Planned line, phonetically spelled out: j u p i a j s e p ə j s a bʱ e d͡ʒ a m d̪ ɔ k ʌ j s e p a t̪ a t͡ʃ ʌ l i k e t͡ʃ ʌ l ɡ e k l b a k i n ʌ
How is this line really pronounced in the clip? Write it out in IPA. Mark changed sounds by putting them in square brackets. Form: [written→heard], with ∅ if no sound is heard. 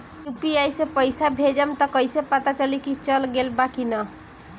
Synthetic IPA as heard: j u p i a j s e p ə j s a bʱ e d͡ʒ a m [d̪→t̪] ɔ k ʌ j s e p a t̪ a t͡ʃ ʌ l i k [e→i] t͡ʃ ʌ l ɡ e [k→∅] l b a k i n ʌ